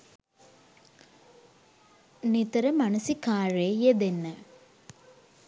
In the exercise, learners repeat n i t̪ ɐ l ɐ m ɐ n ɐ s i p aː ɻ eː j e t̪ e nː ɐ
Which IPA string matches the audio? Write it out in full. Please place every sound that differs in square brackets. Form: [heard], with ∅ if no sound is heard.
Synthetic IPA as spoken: n i t̪ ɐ [ɾ] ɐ m ɐ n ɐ s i [k] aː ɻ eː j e [d̪] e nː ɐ